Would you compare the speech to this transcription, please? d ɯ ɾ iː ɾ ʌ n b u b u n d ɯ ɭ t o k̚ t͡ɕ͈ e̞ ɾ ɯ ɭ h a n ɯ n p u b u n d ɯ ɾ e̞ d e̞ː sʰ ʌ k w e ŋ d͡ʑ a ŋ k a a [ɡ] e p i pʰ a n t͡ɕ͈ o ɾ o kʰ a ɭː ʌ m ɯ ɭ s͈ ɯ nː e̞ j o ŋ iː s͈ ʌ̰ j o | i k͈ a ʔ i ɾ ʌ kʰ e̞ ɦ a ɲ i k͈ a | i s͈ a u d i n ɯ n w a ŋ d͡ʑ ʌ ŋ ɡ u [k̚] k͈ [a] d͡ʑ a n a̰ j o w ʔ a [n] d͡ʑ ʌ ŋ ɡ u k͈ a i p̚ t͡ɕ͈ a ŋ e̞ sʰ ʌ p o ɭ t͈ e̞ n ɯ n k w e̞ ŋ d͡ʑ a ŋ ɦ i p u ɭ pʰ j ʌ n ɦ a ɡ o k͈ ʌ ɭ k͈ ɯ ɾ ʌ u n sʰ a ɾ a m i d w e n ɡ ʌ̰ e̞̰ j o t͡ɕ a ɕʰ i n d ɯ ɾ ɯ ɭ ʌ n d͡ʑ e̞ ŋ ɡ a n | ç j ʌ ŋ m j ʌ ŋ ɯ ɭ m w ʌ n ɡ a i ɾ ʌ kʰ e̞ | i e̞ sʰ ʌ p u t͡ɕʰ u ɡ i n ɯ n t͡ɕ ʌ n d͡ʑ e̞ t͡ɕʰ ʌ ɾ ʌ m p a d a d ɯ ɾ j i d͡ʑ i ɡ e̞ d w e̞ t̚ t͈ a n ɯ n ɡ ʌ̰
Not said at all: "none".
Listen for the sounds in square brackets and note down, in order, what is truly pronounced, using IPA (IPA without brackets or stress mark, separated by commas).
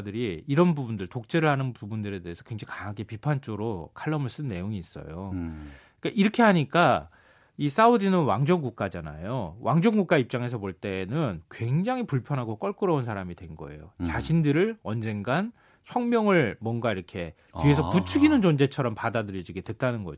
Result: ɡ, k̚, a, ŋ